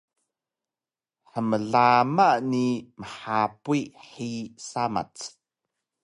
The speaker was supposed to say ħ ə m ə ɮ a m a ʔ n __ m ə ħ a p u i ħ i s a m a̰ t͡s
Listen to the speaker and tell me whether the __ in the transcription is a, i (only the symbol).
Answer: i